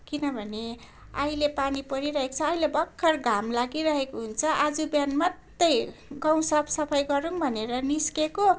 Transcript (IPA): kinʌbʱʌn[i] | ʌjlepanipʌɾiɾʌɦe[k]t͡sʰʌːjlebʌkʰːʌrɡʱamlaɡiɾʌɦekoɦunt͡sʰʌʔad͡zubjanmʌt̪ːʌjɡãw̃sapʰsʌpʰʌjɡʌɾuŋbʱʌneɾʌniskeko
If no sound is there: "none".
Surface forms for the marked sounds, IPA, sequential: e, k

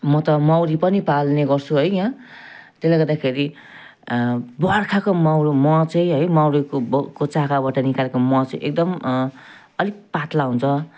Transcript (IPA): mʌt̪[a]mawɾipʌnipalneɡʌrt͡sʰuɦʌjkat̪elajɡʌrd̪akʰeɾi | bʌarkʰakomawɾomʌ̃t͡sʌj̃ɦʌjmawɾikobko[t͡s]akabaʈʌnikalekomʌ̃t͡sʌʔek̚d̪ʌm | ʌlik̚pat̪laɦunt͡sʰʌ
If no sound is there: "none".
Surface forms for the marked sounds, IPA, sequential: ʌ, t͡s

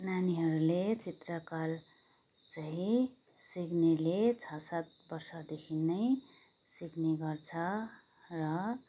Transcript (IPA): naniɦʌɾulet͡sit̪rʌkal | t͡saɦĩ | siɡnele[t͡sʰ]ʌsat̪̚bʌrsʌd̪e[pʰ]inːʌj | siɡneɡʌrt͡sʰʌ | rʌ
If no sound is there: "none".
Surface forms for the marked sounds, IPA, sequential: t͡sʰ, kʰ

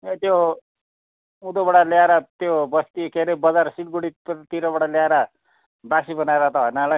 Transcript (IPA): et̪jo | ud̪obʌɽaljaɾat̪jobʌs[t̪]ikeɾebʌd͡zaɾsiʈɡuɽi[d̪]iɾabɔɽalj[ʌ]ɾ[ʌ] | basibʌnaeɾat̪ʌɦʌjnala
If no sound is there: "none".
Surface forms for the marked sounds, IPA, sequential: t̪, t̪, a, a

